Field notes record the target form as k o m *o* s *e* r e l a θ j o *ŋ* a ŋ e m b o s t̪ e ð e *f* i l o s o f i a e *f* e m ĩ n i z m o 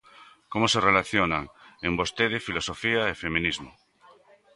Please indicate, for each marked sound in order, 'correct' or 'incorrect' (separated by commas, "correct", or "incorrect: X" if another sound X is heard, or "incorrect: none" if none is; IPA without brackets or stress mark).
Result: correct, correct, incorrect: n, correct, correct